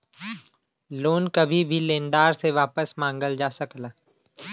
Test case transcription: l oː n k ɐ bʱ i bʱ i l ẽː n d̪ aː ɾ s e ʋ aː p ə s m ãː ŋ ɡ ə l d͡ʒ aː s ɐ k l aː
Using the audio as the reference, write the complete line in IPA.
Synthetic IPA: l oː n k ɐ bʱ i bʱ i l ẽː n d̪ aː ɾ s e ʋ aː p ə s m ãː ŋ ɡ ə l d͡ʒ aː s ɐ k l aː